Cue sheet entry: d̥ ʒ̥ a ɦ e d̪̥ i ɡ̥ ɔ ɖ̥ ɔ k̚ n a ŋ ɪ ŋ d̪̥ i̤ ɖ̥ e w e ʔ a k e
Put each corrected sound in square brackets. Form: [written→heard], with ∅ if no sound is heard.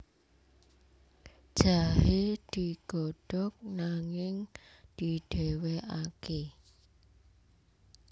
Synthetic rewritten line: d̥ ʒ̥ a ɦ e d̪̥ i ɡ̥ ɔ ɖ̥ ɔ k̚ n a ŋ ɪ ŋ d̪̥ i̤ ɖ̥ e w e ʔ a k e